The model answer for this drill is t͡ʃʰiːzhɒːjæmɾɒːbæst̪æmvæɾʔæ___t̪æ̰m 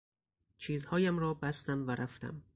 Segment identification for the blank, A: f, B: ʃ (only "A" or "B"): A